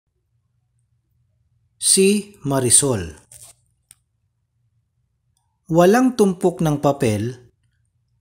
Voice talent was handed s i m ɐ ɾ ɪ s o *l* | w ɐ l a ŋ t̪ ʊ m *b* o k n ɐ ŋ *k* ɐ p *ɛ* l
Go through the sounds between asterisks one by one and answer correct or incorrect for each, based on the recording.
correct, incorrect, incorrect, correct

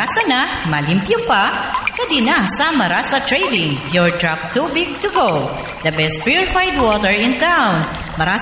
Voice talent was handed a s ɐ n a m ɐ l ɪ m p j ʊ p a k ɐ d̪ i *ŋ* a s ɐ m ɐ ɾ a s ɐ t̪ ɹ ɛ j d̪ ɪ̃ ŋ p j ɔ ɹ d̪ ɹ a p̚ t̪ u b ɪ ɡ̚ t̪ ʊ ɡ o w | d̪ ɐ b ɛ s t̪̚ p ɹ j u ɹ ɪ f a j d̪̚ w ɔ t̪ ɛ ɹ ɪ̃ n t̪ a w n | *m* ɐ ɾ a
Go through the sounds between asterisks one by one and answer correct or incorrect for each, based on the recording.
incorrect, correct

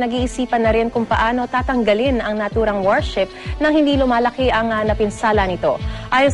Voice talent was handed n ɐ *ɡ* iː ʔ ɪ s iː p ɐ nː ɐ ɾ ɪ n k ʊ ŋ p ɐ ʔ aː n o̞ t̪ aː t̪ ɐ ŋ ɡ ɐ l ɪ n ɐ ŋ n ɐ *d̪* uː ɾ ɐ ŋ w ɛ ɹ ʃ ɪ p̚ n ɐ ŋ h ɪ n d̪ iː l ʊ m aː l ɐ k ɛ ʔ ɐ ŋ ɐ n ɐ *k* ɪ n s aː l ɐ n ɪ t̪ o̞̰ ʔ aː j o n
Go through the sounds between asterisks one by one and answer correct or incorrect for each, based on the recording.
correct, incorrect, incorrect

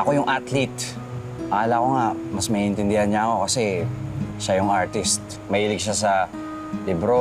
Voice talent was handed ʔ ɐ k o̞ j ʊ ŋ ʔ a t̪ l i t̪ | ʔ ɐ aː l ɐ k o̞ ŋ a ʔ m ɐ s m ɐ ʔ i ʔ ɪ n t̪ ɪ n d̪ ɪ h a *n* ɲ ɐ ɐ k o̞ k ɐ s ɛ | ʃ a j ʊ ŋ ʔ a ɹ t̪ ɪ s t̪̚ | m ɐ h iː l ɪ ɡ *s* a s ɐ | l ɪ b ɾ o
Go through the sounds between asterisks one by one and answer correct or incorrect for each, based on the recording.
correct, incorrect

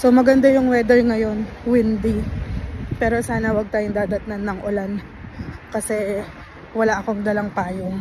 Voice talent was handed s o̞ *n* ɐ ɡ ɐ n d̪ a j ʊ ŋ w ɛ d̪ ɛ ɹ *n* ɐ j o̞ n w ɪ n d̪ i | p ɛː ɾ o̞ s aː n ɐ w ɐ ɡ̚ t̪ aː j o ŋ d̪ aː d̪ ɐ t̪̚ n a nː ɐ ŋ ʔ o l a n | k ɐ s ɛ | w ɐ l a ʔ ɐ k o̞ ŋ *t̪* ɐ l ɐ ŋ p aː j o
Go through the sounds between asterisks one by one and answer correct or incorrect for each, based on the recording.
incorrect, incorrect, incorrect

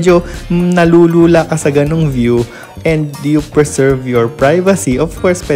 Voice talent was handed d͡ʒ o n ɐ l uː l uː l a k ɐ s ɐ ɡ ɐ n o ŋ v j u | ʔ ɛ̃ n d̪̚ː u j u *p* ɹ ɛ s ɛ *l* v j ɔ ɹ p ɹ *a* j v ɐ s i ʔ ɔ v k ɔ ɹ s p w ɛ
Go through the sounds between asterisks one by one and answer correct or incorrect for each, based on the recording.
correct, incorrect, correct

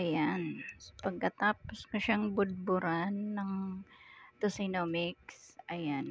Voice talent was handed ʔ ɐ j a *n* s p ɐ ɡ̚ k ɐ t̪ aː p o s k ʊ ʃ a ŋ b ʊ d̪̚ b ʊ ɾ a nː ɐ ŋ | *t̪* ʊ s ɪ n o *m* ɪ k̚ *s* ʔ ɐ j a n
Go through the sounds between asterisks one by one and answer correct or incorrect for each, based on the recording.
correct, correct, correct, correct

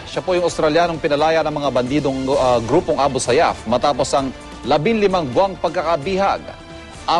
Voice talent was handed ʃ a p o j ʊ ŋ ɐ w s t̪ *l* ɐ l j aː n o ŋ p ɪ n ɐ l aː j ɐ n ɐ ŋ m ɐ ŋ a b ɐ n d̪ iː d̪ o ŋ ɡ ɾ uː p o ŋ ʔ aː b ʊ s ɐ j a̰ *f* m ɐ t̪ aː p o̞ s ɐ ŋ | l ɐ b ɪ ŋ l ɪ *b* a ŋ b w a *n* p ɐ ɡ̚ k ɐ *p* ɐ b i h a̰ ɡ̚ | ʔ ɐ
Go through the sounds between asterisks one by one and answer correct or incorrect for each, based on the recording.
incorrect, correct, incorrect, incorrect, incorrect

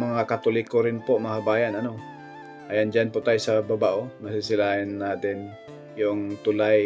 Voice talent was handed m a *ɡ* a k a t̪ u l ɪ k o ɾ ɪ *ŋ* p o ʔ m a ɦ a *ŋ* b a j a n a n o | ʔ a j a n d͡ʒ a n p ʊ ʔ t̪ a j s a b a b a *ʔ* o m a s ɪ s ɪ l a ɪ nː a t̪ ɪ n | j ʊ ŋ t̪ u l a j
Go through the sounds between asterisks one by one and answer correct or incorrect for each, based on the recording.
incorrect, incorrect, incorrect, correct

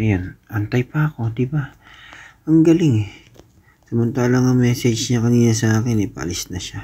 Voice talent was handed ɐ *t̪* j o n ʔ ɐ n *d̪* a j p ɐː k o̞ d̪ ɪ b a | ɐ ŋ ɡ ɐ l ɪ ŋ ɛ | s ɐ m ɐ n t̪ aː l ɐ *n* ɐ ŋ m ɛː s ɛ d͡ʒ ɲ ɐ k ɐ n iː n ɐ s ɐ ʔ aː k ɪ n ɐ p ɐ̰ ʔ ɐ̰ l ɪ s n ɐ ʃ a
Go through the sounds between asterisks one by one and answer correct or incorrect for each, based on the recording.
incorrect, incorrect, incorrect

